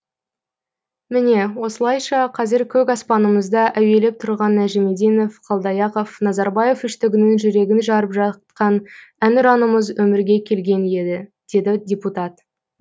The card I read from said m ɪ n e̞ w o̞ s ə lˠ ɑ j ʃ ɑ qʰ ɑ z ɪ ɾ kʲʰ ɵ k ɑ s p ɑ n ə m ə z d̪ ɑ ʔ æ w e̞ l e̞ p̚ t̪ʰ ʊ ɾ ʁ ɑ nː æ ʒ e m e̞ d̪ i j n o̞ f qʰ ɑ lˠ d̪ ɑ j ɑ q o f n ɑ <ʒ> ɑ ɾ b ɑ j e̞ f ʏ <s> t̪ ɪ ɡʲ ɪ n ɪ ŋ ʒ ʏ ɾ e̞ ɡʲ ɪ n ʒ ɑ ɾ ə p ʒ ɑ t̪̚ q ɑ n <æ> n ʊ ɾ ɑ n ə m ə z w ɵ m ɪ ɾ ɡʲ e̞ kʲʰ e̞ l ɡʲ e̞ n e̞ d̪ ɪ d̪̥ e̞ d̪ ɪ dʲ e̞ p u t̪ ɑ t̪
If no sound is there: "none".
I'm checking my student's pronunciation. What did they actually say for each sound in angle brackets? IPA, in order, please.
z, ʃ, æ

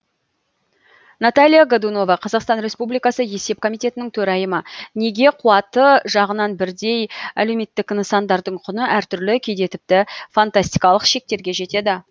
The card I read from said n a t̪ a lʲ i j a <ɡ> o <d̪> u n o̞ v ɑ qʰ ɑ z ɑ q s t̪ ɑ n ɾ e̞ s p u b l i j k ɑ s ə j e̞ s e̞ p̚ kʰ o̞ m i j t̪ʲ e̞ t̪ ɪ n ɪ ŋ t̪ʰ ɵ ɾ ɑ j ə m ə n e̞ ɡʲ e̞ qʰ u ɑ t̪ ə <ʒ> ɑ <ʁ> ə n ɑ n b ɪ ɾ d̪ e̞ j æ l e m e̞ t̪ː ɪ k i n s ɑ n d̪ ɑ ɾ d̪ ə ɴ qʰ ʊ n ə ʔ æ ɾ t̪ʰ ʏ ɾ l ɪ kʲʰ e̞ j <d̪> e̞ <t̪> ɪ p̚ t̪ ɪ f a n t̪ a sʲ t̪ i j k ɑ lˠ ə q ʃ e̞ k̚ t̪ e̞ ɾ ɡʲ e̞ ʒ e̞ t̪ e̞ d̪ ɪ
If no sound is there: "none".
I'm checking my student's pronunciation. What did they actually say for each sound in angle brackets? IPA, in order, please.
ɡ, d̪, ʒ, ʁ, d̪, t̪

